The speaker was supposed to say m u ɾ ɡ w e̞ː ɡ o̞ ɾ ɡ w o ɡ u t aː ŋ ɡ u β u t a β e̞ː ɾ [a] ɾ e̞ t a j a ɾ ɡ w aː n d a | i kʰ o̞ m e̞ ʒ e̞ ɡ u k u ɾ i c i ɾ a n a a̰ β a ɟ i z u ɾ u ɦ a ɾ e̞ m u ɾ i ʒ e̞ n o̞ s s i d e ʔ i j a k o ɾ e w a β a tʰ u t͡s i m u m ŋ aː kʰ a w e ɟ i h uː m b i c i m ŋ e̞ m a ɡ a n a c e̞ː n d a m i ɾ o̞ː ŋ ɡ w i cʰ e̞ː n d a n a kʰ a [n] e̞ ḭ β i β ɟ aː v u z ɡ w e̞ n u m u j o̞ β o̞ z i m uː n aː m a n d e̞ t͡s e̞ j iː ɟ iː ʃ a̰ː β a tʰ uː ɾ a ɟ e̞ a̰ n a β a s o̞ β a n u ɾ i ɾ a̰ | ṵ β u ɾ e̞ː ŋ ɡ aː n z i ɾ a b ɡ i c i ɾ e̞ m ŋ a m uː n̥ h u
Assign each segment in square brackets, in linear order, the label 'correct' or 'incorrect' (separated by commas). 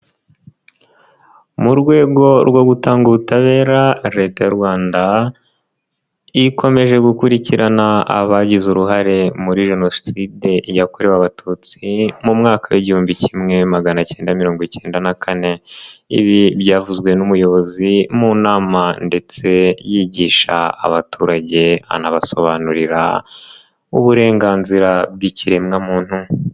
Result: correct, correct